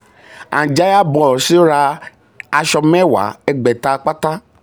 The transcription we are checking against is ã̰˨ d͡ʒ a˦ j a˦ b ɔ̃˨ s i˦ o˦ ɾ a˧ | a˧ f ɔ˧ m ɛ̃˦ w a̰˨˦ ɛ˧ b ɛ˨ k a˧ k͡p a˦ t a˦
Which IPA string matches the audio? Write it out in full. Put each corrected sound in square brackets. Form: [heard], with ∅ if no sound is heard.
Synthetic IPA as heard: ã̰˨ d͡ʒ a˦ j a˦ b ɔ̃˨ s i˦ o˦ ɾ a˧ | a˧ [ʃ] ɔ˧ m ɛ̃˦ w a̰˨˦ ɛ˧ [ɡ͡b] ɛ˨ [t] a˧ k͡p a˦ t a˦